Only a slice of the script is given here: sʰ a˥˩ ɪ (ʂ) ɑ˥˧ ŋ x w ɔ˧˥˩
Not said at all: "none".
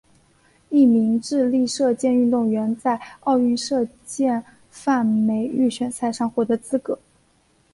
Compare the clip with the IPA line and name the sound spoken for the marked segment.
ʂ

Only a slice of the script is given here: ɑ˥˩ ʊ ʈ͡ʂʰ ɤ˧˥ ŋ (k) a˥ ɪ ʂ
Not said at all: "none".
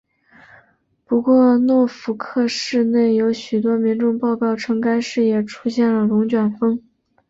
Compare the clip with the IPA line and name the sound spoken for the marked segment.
k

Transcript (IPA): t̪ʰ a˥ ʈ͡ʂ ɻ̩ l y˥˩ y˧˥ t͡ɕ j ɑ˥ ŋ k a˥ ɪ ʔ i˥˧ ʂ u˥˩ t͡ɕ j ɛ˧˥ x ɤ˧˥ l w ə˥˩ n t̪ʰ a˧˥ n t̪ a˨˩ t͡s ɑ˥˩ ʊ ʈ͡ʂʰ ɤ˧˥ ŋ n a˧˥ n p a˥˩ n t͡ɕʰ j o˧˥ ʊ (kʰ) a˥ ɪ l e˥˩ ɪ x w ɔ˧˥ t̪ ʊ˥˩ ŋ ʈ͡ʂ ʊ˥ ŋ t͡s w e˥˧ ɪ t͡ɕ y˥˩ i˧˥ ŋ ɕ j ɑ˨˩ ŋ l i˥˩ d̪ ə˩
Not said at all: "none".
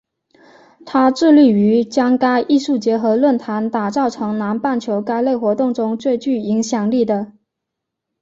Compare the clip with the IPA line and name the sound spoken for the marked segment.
k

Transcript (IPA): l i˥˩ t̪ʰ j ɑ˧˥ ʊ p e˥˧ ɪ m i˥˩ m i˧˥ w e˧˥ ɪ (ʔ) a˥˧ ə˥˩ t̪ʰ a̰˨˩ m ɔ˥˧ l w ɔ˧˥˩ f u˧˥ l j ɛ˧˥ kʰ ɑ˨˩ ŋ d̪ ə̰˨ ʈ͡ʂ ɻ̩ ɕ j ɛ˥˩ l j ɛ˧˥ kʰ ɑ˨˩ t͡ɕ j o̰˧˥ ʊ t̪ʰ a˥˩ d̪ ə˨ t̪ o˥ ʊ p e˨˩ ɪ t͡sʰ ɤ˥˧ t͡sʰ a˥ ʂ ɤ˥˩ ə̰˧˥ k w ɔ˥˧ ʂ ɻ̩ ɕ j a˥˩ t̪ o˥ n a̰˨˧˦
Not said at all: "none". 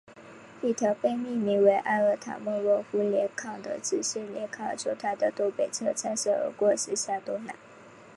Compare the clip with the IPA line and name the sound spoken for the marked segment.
ʔ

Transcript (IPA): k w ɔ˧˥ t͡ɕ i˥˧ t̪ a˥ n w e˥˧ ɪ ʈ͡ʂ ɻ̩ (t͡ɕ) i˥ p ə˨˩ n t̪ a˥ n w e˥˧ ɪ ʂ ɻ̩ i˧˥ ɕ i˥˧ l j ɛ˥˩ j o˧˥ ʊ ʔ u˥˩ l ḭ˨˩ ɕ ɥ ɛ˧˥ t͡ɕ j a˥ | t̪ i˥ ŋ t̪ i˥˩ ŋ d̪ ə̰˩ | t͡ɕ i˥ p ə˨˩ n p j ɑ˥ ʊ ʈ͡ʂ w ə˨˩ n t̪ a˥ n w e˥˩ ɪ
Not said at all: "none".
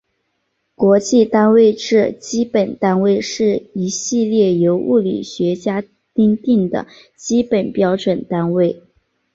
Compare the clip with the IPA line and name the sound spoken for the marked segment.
t͡ɕ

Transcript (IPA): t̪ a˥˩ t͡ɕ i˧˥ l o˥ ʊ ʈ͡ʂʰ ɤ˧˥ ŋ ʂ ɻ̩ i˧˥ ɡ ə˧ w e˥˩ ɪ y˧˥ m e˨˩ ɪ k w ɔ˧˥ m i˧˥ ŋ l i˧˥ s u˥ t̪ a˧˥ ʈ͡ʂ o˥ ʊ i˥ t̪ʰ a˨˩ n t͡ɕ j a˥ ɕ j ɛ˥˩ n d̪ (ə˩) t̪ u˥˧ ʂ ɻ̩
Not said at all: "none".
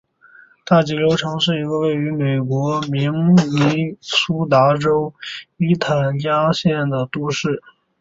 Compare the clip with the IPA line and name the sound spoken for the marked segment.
ə˩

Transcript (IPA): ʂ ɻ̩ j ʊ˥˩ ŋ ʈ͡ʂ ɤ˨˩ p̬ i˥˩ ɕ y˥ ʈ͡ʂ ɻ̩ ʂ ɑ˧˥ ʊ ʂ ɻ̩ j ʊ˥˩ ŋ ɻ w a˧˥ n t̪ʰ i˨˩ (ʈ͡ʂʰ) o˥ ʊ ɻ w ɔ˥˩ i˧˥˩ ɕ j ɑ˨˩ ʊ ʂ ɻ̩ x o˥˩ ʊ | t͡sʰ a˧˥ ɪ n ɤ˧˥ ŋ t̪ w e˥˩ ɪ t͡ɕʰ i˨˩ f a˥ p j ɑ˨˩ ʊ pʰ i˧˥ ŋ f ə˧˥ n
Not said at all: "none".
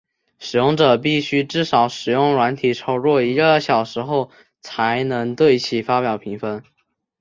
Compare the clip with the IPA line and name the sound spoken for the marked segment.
ʈ͡ʂʰ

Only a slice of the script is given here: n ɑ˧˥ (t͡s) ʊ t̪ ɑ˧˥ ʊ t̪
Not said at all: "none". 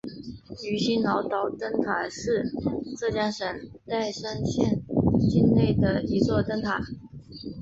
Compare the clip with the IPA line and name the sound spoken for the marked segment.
none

